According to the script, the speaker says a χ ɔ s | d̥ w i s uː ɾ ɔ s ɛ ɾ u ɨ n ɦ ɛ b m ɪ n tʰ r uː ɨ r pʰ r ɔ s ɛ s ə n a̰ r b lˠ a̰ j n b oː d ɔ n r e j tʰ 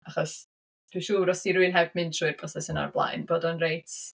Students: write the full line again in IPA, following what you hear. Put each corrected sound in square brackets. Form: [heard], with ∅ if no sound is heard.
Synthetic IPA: a χ ɔ s | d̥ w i [ʃ] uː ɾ ɔ s [i] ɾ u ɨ n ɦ ɛ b m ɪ n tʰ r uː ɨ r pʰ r ɔ s ɛ s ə n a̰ r b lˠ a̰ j n b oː d ɔ n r e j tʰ